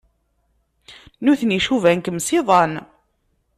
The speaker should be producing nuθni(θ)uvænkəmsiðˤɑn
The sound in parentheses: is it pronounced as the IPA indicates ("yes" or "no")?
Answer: no